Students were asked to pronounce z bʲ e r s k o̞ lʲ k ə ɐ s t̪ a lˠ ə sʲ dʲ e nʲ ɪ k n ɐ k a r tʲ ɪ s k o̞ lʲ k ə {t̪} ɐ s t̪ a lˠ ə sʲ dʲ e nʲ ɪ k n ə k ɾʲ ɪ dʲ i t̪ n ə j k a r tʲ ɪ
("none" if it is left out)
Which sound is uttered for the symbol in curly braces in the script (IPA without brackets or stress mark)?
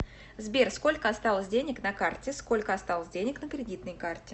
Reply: none